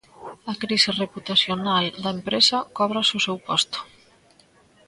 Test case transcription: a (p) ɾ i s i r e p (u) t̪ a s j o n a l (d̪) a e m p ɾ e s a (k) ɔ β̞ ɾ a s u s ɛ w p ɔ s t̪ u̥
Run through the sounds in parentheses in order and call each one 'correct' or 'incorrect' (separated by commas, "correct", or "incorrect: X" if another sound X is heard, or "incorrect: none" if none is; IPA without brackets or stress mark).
incorrect: k, correct, correct, correct